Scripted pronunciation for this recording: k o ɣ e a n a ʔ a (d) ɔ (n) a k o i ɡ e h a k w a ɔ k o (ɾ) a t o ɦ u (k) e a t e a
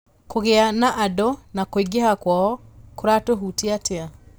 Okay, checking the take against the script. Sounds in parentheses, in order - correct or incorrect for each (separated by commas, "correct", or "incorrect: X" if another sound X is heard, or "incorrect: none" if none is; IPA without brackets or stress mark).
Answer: correct, correct, correct, incorrect: t